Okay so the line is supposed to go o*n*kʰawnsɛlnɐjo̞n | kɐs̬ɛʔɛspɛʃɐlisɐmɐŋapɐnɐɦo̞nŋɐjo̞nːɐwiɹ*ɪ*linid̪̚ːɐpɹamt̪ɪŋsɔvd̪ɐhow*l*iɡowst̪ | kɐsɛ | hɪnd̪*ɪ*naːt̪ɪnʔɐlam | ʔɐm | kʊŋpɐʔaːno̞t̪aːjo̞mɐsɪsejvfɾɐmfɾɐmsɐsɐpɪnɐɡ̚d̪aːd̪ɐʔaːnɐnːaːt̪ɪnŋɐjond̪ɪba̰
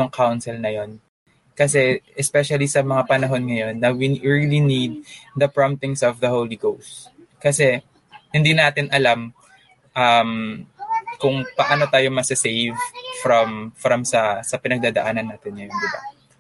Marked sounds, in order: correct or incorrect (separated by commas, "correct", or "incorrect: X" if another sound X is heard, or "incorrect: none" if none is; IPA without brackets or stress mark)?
incorrect: ŋ, incorrect: i, correct, incorrect: i